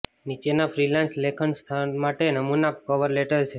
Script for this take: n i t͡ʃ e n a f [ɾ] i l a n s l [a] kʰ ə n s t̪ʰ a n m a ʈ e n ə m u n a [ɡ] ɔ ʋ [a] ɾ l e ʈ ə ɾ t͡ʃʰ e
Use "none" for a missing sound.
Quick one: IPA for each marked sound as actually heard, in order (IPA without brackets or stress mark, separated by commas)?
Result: ɾ, e, k, ə